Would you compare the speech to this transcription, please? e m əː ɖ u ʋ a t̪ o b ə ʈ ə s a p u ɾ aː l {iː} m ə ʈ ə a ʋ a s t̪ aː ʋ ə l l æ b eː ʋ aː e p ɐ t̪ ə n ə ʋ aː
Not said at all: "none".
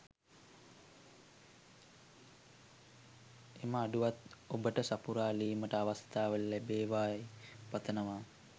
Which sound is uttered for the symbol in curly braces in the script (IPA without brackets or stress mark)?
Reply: iː